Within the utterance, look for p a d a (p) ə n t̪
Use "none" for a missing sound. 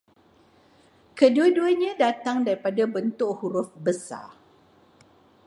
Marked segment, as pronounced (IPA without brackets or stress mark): b